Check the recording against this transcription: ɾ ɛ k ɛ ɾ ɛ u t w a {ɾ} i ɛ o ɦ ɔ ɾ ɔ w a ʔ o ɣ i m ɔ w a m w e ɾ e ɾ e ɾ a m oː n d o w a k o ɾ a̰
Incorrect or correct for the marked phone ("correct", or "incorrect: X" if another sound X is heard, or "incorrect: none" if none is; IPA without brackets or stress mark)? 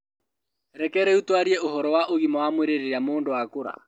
correct